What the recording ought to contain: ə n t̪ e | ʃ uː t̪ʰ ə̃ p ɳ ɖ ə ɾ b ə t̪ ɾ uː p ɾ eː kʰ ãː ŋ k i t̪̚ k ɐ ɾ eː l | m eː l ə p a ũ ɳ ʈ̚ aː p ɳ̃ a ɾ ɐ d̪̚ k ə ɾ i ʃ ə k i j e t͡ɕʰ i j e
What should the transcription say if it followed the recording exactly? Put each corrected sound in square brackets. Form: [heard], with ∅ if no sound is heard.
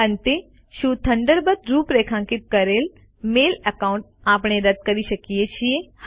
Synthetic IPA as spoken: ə n t̪ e | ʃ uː t̪ʰ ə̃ [∅] ɳ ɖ ə ɾ b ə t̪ ɾ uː p ɾ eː kʰ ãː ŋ k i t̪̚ k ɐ ɾ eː l | m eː l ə [k] a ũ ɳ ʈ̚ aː p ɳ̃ [e] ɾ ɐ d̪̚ k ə ɾ i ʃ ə k i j e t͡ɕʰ i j e